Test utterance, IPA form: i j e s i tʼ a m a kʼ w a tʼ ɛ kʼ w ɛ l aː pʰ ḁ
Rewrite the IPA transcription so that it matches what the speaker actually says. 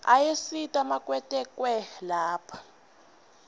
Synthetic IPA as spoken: a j e s i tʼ a m a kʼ w ɛ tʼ ɛ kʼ w ɛ l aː pʰ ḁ